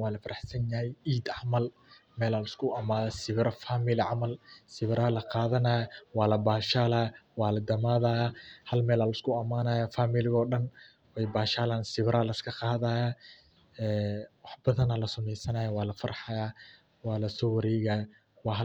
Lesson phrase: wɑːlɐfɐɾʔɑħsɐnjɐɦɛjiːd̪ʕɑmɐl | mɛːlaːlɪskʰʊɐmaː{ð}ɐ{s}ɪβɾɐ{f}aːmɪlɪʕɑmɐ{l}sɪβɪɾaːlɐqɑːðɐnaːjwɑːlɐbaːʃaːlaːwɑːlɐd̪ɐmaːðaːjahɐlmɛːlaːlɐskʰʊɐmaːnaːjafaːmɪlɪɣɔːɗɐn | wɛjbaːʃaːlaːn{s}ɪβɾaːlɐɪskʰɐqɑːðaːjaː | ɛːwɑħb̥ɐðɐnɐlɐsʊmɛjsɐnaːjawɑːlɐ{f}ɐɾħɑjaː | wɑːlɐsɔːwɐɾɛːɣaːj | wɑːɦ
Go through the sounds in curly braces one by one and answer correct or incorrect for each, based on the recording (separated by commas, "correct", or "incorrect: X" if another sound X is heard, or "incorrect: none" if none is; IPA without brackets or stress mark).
correct, correct, correct, correct, correct, correct